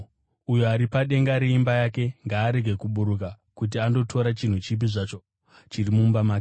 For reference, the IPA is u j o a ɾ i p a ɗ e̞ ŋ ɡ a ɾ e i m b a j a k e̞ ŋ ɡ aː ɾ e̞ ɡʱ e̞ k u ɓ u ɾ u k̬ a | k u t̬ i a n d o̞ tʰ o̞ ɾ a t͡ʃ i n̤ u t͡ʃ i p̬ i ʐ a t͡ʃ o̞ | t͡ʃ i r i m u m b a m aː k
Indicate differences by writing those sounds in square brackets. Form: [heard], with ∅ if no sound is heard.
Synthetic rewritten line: u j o a ɾ i p a ɗ e̞ ŋ ɡ a ɾ e i m b a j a k e̞ ŋ ɡ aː ɾ e̞ ɡʱ e̞ k u ɓ u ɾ u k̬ a | k u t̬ i a n d o̞ tʰ o̞ ɾ a t͡ʃ i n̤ u t͡ʃ i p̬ i ʐ a t͡ʃ o̞ | t͡ʃ i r i m u m b a m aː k